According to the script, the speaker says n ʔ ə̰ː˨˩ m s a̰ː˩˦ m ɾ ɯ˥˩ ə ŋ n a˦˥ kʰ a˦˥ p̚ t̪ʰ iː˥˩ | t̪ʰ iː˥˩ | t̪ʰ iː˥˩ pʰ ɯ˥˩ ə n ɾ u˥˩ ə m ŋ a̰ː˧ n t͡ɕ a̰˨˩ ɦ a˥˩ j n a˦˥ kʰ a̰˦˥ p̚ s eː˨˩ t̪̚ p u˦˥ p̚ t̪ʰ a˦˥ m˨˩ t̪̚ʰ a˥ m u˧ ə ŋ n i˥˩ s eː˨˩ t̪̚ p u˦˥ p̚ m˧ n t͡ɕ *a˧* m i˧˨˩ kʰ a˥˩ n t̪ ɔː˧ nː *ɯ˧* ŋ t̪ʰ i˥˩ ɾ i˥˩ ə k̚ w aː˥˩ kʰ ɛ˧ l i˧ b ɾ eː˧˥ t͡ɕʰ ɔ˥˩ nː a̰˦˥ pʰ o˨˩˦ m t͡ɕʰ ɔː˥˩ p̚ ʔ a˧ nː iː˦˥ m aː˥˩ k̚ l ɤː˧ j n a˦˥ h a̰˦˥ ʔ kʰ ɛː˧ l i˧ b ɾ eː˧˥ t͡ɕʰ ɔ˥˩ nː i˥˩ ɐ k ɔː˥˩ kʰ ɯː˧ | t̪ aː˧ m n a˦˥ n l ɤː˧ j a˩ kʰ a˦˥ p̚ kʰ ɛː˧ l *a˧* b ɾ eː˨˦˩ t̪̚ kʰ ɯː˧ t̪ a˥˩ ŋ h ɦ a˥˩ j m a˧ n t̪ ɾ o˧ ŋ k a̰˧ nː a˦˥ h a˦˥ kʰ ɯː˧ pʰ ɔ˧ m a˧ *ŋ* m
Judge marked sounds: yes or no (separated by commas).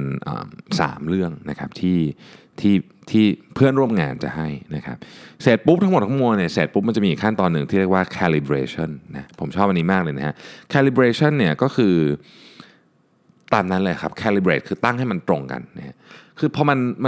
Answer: no, no, no, no